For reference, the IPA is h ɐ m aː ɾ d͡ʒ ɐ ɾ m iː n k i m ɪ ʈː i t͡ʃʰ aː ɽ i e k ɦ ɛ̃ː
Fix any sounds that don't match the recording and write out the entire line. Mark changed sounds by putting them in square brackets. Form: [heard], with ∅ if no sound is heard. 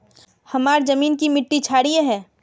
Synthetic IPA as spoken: h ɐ m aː ɾ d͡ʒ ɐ [∅] m iː n k i m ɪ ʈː i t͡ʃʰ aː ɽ i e [∅] ɦ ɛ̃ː